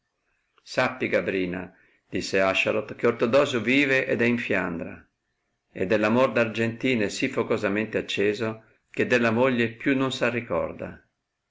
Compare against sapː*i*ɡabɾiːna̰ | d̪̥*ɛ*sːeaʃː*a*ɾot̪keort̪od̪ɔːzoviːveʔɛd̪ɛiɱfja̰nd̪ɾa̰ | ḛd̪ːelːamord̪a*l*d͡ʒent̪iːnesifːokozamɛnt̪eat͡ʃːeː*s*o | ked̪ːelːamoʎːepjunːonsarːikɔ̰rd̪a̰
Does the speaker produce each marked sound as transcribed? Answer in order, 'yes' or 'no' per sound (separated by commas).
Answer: yes, no, yes, no, no